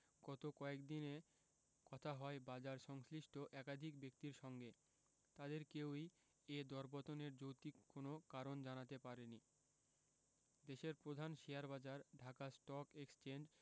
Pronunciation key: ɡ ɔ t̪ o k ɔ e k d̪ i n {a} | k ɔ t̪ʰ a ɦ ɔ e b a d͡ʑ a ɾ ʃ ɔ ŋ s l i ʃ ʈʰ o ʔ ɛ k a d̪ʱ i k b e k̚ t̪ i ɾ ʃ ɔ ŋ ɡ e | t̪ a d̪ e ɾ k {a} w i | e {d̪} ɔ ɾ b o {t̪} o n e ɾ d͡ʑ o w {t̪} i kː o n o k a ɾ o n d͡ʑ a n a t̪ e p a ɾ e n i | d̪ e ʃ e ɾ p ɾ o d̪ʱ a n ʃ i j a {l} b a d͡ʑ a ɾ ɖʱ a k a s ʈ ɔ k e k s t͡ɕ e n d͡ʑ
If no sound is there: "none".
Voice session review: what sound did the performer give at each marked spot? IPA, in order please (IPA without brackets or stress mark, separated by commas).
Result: e, e, d̪, t̪, t̪, ɾ